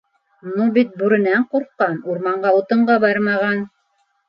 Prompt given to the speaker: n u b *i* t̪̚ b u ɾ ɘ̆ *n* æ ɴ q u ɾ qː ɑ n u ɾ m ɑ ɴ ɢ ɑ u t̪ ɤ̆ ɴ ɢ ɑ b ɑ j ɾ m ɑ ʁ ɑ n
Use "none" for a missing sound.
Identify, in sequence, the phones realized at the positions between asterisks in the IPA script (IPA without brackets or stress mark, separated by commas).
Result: i, n